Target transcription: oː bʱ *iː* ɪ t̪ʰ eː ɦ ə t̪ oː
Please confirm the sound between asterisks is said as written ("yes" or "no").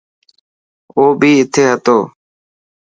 yes